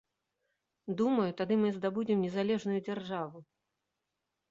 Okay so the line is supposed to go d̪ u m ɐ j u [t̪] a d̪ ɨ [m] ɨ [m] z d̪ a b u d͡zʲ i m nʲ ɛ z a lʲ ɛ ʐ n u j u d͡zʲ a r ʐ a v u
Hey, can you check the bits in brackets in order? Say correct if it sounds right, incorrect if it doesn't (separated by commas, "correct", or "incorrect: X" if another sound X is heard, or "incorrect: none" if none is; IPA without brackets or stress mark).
correct, correct, incorrect: none